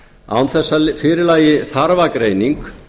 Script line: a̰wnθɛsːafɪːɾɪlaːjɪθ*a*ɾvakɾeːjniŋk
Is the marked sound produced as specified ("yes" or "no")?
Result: yes